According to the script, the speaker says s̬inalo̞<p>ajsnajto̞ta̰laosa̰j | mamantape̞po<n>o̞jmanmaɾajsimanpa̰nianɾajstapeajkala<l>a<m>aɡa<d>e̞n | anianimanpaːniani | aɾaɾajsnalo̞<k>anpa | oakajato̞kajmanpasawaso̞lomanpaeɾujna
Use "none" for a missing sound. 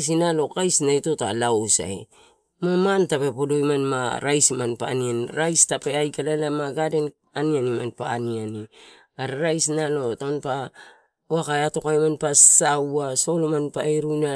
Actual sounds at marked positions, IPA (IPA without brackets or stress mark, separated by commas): k, d, l, m, d, t